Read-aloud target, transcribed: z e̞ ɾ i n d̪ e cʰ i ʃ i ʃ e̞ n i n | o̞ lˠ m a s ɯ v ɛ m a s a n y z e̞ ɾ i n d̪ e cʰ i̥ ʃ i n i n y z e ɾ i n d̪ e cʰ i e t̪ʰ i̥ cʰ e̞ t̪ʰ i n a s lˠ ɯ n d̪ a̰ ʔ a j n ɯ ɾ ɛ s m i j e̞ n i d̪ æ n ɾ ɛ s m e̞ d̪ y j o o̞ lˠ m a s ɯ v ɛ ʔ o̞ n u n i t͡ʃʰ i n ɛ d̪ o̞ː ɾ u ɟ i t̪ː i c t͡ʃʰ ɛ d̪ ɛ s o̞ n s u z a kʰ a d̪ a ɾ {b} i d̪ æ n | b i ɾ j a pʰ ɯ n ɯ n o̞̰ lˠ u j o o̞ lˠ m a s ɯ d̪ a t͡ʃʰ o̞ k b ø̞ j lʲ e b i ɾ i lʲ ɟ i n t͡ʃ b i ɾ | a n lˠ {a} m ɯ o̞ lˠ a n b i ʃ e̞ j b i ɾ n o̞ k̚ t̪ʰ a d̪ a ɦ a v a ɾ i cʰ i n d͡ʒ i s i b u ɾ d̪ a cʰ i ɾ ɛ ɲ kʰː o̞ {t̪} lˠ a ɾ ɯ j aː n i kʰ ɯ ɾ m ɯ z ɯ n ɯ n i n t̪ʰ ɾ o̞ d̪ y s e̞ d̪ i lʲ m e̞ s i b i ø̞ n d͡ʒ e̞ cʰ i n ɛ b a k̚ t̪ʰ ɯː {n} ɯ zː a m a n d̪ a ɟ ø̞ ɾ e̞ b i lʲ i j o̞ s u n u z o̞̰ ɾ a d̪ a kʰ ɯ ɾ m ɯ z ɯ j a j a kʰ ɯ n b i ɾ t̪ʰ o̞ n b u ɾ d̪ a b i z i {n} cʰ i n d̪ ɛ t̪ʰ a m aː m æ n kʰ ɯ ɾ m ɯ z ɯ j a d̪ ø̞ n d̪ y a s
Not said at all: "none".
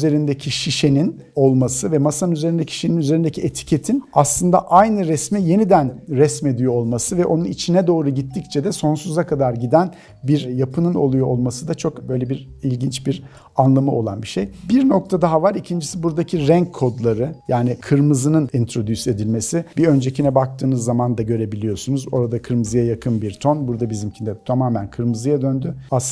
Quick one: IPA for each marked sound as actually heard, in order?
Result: ɟ, a, d̪, n, m

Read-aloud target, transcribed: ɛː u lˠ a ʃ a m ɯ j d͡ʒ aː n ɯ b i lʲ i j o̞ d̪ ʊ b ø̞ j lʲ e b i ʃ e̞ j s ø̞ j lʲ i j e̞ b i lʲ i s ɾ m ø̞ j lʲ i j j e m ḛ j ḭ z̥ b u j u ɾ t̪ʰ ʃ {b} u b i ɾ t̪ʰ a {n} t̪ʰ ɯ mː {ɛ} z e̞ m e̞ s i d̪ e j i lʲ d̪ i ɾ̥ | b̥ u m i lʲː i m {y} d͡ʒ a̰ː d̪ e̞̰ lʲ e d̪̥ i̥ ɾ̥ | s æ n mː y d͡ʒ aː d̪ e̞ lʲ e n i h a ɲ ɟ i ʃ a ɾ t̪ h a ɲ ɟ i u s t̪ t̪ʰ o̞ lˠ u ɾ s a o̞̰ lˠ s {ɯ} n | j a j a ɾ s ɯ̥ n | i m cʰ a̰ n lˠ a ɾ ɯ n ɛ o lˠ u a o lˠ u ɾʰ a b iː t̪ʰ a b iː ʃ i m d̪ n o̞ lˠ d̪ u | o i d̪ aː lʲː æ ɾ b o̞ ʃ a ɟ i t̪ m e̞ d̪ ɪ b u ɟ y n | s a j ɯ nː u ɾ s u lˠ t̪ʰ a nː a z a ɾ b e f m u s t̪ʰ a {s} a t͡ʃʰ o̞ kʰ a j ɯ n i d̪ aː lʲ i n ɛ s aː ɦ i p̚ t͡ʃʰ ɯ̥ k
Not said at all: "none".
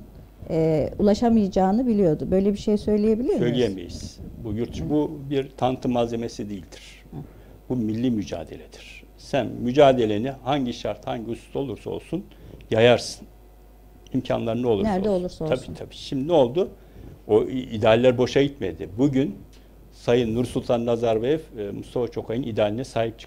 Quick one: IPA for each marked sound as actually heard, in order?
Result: b, n, a, y, u, f

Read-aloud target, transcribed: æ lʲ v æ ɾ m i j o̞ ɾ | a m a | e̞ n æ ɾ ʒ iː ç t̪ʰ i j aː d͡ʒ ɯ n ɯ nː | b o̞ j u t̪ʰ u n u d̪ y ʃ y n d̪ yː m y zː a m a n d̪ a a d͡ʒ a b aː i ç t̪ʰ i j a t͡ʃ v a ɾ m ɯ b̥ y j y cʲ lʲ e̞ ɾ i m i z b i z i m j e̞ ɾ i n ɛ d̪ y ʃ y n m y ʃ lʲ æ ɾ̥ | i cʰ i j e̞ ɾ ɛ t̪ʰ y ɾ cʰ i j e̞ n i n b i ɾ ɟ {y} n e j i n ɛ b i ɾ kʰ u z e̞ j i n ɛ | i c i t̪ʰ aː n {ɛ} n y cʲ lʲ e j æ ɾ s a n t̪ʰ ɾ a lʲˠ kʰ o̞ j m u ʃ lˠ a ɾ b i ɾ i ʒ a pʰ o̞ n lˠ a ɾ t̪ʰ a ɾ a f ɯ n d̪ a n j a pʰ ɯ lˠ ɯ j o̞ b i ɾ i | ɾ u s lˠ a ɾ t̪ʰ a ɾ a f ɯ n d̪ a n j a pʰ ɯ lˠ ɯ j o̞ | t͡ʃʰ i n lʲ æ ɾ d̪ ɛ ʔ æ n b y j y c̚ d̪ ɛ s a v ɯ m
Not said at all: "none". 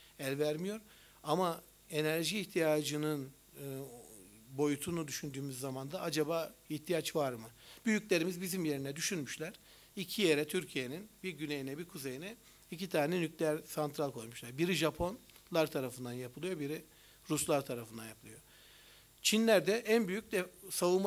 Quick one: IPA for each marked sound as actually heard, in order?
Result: y, ɛ

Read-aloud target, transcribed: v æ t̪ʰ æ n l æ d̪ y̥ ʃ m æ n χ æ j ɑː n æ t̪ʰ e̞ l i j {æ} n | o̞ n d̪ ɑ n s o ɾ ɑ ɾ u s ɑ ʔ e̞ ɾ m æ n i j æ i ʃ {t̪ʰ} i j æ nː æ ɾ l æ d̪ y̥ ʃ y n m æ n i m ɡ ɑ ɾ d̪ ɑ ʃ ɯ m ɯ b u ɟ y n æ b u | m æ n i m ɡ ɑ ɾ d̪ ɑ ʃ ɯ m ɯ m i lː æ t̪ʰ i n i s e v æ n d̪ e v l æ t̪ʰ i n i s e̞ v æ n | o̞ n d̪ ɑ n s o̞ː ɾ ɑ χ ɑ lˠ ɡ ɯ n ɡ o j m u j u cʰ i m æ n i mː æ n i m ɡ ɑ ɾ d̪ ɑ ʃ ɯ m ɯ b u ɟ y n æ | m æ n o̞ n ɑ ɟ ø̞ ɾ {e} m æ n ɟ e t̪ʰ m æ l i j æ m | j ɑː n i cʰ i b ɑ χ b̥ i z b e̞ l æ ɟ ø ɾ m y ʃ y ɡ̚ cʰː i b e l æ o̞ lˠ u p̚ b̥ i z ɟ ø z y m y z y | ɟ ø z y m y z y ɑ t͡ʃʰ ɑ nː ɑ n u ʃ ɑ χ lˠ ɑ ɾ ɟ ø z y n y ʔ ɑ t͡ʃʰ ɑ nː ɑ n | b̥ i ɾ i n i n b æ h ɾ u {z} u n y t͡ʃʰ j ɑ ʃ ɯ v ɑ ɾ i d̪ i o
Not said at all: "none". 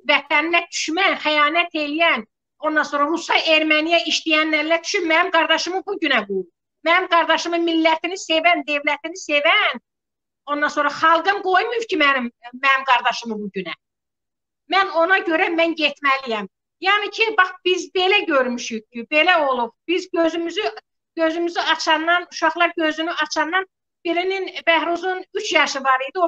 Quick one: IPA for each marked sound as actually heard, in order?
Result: æ, t̪, æ, z

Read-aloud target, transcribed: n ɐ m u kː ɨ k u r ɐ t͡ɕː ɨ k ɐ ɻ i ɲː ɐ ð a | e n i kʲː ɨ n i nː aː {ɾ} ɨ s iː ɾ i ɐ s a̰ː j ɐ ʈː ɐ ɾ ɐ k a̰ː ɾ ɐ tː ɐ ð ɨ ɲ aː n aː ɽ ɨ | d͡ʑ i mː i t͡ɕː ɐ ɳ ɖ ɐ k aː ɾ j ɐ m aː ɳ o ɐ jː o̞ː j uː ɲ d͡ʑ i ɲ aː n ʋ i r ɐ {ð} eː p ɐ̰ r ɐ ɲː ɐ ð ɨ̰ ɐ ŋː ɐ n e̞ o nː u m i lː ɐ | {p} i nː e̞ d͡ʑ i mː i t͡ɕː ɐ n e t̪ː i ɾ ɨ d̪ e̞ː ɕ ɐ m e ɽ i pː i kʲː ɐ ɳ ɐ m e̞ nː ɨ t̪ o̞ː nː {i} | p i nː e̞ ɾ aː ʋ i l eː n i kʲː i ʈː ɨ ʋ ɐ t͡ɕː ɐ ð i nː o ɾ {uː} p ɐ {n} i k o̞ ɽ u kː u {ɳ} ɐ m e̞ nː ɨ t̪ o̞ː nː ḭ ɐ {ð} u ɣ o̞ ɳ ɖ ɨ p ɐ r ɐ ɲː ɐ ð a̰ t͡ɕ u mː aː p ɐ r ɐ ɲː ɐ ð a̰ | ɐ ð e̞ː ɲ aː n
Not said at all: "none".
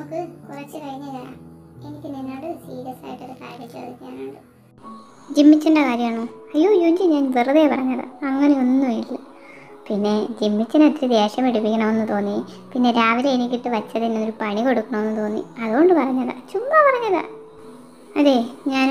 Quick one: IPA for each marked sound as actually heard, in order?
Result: ɽ, ð, p, i, u, ɳ, ɳ, ð

